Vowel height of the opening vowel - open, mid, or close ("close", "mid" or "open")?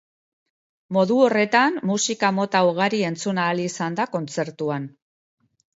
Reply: mid